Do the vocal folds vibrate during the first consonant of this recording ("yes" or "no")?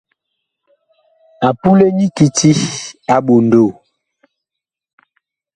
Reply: no